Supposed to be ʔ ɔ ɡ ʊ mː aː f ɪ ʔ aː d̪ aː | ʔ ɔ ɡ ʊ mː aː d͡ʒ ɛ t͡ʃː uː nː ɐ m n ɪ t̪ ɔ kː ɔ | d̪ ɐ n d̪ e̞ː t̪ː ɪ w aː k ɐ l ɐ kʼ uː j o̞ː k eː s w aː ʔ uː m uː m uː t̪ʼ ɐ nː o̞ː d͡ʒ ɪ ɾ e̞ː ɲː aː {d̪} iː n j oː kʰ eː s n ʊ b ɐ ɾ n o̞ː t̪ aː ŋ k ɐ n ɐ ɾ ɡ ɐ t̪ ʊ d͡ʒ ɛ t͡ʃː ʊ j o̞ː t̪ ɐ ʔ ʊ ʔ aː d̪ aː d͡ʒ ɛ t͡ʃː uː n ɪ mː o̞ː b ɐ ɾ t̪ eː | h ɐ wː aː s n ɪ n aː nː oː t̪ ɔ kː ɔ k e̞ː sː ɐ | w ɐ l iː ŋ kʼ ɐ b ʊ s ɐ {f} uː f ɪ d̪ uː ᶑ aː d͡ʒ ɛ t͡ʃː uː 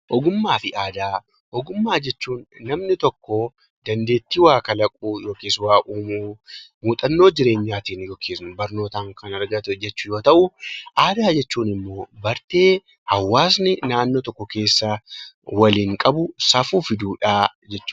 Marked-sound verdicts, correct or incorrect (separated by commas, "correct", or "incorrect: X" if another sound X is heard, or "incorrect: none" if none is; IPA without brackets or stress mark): incorrect: t̪, correct